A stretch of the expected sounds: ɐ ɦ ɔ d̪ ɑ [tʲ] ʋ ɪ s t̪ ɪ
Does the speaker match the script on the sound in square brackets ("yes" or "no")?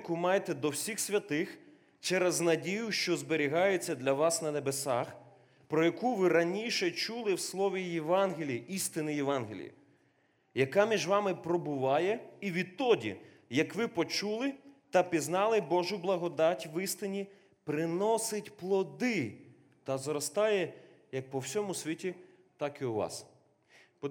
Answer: yes